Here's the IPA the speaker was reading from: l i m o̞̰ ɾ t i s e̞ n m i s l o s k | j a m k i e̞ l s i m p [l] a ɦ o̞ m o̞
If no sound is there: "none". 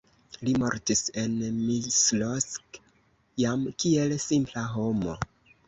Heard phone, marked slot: l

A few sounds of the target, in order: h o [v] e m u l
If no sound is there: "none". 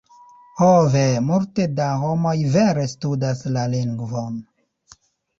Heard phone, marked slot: v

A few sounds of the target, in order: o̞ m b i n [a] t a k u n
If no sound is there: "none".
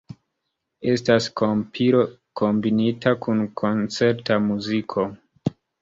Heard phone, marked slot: i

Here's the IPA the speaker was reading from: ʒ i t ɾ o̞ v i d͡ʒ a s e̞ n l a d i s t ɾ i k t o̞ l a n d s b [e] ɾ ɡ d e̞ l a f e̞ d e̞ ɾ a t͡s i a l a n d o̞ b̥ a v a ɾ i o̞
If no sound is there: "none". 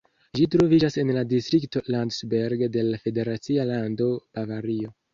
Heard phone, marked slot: e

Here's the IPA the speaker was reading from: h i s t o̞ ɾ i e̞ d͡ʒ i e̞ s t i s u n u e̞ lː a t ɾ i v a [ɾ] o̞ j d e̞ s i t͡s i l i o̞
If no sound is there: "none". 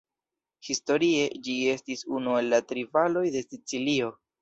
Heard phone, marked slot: l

